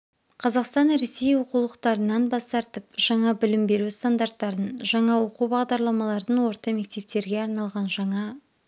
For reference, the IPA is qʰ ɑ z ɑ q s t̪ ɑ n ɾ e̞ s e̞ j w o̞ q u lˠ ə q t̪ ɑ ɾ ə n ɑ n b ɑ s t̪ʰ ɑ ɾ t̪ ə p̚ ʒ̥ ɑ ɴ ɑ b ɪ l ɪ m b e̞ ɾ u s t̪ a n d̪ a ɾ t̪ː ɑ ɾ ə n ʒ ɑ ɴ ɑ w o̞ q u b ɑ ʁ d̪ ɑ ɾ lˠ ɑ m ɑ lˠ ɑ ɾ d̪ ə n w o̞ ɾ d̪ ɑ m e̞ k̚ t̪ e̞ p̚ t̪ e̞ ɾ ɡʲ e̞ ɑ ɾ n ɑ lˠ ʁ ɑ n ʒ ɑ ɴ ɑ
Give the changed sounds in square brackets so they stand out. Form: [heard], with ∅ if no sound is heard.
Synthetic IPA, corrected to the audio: qʰ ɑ z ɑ q s t̪ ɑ n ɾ e̞ s e̞ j w o̞ q u lˠ ə q t̪ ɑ ɾ ə n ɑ n b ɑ s [t̪] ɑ ɾ t̪ ə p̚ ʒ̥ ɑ ɴ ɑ b ɪ l ɪ m b e̞ ɾ u s t̪ a n d̪ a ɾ t̪ː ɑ ɾ ə n ʒ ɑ ɴ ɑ w o̞ q u b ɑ ʁ d̪ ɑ ɾ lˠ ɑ m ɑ lˠ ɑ ɾ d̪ ə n w o̞ ɾ [t̪] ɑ m e̞ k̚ t̪ e̞ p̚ t̪ e̞ ɾ ɡʲ e̞ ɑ ɾ n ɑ lˠ ʁ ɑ n ʒ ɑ ɴ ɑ

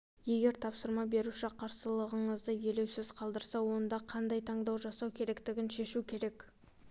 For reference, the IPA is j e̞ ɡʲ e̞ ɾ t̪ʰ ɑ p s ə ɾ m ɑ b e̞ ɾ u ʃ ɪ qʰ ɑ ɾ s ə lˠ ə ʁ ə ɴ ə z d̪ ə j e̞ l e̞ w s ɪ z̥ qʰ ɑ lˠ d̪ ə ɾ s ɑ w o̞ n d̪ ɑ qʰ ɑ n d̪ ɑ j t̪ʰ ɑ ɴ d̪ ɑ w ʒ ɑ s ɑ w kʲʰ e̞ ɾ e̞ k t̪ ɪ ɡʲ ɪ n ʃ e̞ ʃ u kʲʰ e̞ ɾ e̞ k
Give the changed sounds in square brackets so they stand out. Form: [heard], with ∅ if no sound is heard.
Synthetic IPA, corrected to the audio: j e̞ ɡʲ e̞ ɾ t̪ʰ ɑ p s ə ɾ m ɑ b e̞ ɾ u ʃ ɪ qʰ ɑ ɾ s ə lˠ ə ʁ ə ɴ ə z d̪ ə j e̞ l e̞ w s ɪ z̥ qʰ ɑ lˠ d̪ ə ɾ s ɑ w o̞ n d̪ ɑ qʰ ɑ n d̪ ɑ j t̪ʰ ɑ ɴ d̪ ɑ w ʒ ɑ s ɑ w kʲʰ e̞ ɾ e̞ k t̪ ɪ ɡʲ ɪ n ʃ e̞ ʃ u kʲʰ e̞ ɾ e̞ k

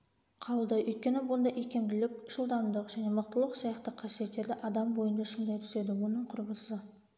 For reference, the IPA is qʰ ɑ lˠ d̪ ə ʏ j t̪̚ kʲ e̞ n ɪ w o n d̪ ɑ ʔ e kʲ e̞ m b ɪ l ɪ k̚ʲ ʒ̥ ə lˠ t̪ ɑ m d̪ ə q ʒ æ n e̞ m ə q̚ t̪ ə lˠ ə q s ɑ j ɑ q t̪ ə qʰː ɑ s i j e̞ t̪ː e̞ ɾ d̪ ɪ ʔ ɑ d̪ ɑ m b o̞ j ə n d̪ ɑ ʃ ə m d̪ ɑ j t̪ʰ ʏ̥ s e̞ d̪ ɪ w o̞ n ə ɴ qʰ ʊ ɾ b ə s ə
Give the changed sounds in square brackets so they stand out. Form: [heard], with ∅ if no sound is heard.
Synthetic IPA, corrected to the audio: qʰ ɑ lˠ d̪ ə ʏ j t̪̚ kʲ e̞ n ɪ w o n d̪ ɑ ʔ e kʲ e̞ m b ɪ l ɪ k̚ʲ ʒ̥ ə lˠ [d̪] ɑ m d̪ ə q ʒ æ n e̞ m ə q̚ t̪ ə lˠ ə q s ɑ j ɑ q t̪ ə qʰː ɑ s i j e̞ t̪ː e̞ ɾ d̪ ɪ ʔ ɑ d̪ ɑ m b o̞ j ə n d̪ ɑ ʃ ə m d̪ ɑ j t̪ʰ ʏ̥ s e̞ d̪ ɪ w o̞ n ə ɴ qʰ ʊ ɾ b ə s ə

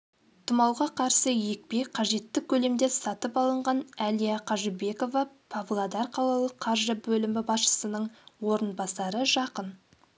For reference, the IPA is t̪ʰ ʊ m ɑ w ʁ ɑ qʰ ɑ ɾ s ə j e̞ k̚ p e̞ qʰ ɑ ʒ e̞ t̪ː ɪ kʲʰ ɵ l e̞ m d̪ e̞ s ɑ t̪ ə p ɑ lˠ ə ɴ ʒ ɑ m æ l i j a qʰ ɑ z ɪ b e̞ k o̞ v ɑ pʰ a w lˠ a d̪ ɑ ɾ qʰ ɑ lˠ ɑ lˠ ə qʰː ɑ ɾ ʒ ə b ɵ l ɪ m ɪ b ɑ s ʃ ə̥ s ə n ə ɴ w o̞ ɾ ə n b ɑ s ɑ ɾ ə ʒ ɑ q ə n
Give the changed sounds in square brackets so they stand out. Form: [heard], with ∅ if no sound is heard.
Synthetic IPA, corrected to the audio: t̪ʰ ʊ m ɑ w ʁ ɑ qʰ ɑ ɾ s ə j e̞ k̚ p e̞ qʰ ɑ ʒ e̞ t̪ː ɪ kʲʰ ɵ l e̞ m d̪ e̞ s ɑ t̪ ə p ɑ lˠ ə ɴ [ʁ] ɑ [n] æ l i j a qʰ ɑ [ʒ] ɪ b e̞ k o̞ v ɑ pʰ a [v] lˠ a d̪ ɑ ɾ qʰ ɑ lˠ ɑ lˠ ə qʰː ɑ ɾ ʒ ə b ɵ l ɪ m ɪ b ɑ s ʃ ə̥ s ə n ə ɴ w o̞ ɾ ə n b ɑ s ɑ ɾ ə ʒ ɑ q ə n

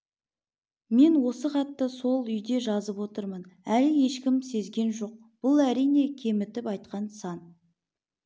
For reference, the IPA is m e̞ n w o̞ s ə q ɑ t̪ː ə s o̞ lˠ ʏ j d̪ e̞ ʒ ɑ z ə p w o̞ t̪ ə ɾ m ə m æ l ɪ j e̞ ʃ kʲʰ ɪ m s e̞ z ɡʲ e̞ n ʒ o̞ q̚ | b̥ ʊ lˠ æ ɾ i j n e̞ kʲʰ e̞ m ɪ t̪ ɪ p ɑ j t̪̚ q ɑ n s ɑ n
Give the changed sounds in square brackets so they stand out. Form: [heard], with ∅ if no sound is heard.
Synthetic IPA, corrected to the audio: m e̞ n w o̞ s ə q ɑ t̪ː ə s o̞ lˠ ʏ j d̪ e̞ ʒ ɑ z ə p w o̞ t̪ ə ɾ m ə [n] æ l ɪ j e̞ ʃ [kʲ] ɪ m s e̞ z ɡʲ e̞ n ʒ o̞ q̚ | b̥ ʊ lˠ æ ɾ i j n e̞ kʲʰ e̞ m ɪ t̪ ɪ p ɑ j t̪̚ q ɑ n s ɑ n

